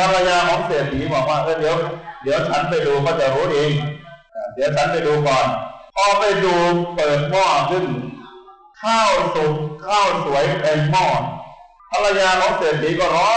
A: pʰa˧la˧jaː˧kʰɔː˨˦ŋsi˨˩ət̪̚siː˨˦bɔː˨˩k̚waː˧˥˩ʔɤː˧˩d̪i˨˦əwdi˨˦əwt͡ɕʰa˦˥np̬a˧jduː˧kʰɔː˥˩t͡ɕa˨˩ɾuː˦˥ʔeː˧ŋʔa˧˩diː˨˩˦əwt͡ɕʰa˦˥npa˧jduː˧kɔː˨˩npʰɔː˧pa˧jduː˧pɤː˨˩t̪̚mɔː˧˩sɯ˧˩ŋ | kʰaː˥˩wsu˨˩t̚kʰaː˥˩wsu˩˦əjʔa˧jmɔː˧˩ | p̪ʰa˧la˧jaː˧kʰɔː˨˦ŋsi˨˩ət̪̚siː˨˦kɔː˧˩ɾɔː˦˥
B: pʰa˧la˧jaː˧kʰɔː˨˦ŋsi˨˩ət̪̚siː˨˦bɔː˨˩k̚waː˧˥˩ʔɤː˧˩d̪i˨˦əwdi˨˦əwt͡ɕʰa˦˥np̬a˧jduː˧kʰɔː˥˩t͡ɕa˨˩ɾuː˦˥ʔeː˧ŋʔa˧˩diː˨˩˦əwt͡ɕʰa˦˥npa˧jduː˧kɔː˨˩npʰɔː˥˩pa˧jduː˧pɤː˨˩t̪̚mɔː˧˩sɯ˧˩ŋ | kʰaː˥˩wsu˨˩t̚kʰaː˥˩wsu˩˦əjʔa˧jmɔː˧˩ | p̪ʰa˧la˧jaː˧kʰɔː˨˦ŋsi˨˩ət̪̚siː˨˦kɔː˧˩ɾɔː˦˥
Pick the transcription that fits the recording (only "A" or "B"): A